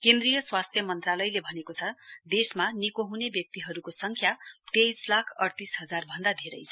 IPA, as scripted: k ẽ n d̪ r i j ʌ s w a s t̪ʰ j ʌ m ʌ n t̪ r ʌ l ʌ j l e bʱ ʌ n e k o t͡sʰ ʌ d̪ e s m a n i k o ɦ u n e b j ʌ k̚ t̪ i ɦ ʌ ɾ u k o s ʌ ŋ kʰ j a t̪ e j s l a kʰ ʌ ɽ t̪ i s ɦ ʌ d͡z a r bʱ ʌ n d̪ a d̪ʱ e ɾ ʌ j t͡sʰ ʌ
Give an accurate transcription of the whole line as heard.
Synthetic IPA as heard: k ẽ n d̪ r i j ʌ s w a s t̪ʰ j ʌ m ʌ n t̪ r a l ʌ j l e bʱ ʌ n e k o t͡sʰ ʌ d̪ e s m a n i k o ɦ u n e b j ʌ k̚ t̪ i ɦ ʌ ɾ u k o s ʌ ŋ kʰ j a t̪ e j s l a kʰ ʌ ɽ t̪ i s ɦ ʌ d͡z a r bʱ ʌ n d̪ a d̪ʱ e ɾ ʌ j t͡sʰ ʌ

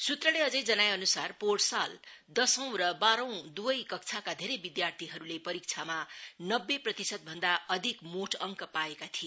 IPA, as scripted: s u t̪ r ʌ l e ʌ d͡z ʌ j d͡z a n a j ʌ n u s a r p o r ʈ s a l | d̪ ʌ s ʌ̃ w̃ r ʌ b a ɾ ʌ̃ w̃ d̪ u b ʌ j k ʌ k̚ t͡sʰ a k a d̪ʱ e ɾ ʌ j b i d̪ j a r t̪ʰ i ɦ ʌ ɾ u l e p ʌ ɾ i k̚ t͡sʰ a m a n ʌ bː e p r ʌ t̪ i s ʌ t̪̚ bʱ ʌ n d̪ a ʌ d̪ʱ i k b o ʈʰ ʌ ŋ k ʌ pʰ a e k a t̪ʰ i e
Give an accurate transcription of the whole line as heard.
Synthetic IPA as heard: s u t̪ r ʌ l e ʌ d͡z ʌ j d͡z ʌ n a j ʌ n u s a r p o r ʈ s a l | d̪ ʌ s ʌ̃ w̃ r ʌ b a ɾ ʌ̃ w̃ d̪ u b ʌ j k ʌ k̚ t͡sʰ a k a d̪ʱ e ɾ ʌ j b i d̪ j a r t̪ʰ i ɦ ʌ ɾ u l e p ʌ ɾ i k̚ t͡sʰ a m a n ʌ bː e p r ʌ t̪ i s ʌ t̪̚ bʱ ʌ n d̪ a ʌ d̪ʱ i k m o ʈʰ ʌ ŋ k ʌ p a e k a t̪ʰ i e

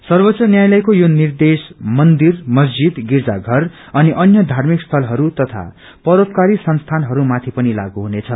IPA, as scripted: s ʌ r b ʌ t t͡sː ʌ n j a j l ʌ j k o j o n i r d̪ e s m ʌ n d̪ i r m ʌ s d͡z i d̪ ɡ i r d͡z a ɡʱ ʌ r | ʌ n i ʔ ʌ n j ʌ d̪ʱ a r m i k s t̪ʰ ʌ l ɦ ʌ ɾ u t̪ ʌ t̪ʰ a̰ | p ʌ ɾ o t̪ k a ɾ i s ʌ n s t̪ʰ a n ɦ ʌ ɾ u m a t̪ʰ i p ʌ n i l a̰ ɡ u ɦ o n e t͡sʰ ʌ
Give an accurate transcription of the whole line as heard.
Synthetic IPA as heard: s ʌ r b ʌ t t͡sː ʌ n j a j l ʌ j k o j o n i r d̪ e s m ʌ n d̪ i r m ʌ s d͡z i d̪ ɡ i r d͡z a ɡʱ ʌ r | ʌ n i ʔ ʌ n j ʌ d̪ʱ a r m i k s t̪ʰ ʌ l ɦ ʌ ɾ u t̪ ʌ t̪ʰ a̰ | p ʌ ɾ o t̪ k a ɾ i s ʌ n s t̪ʰ a n ɦ ʌ ɾ u m a t̪ʰ i p ʌ n i l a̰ ɡ u ɦ u n e t͡sʰ ʌ

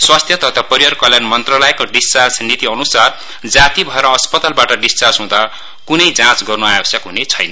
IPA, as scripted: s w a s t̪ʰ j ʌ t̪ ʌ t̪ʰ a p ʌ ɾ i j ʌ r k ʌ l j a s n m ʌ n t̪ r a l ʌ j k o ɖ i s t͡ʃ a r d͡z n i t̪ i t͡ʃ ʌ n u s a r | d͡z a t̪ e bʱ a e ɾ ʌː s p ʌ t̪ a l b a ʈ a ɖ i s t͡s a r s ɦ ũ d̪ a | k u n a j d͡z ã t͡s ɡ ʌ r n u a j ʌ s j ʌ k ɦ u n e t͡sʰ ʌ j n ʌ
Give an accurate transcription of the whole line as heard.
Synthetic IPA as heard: s w a s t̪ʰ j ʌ t̪ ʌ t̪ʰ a p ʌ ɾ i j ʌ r k ʌ l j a n m ʌ n t̪ r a l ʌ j k o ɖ i s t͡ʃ a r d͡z n i t̪ i ʌ n u s a r | d͡z a t̪ i bʱ ʌ e ɾ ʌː s p ʌ t̪ a l b a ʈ ʌ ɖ i s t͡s a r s ɦ ũ d̪ a | k u n ʌ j d͡z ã t͡s ɡ ʌ r n u a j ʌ s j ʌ k ɦ u n e t͡sʰ ʌ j n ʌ

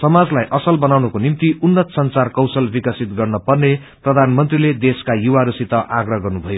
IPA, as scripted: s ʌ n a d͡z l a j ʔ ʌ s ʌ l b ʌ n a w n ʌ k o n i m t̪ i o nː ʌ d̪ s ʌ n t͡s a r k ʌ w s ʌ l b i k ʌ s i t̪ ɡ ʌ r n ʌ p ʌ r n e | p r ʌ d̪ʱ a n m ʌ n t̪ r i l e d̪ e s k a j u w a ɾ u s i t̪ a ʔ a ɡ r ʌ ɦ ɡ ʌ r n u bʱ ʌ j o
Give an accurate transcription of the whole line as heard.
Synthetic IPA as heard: s ʌ m a d͡z l a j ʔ ʌ s ʌ l b ʌ n a w n ʌ k o n i m t̪ i u nː ʌ t̪ s ʌ n t͡s a r k ʌ w s ʌ l b i k ʌ s i t̪ ɡ ʌ r n ʌ p ʌ r n e | p r ʌ d̪ʱ a n m ʌ n t̪ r i l e d̪ e s k a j u w a ɾ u s i t̪ ʌ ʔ a ɡ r ʌ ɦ ɡ ʌ r n u bʱ ʌ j o

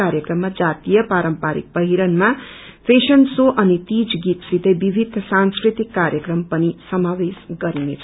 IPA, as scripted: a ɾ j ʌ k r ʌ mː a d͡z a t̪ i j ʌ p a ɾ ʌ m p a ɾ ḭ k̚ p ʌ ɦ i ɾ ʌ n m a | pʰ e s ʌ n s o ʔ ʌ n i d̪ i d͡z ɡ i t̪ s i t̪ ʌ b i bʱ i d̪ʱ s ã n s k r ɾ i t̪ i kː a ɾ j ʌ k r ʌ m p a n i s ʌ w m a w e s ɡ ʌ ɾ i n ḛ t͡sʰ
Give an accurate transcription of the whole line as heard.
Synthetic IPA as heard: a ɾ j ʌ k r ʌ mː a d͡z a t̪ i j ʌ p a ɾ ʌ m p a ɾ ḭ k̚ p ʌ ɦ i ɾ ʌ n m a | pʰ e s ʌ n s o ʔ ʌ n i t̪ i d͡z ɡ i t̪ s i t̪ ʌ b i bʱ i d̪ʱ s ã n s k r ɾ i t̪ i kː a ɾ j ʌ k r ʌ m p ʌ n i s ʌ m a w e s ɡ ʌ ɾ i n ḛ t͡sʰ

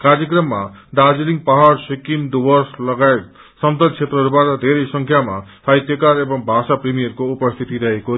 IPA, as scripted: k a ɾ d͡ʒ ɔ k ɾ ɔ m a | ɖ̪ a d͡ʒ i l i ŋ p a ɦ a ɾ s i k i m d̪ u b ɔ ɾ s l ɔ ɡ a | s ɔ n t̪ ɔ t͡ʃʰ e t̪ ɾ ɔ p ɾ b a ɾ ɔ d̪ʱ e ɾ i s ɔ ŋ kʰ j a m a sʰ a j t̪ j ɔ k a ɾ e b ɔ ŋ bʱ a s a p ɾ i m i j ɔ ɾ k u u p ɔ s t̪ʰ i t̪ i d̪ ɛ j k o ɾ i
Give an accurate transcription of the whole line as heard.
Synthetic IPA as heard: k a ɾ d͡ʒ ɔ k ɾ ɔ m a | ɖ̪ a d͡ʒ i l i ŋ p a ɦ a ɾ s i k i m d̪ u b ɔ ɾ s l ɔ ɡ a | s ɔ n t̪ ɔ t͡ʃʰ e t̪ ɾ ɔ ɾ b a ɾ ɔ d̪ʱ e ɾ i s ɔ ŋ kʰ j a m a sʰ a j t̪ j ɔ k a ɾ e b ɔ ŋ bʱ a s a p ɾ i m i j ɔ ɾ k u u p ɔ s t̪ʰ i t̪ i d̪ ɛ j k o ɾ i

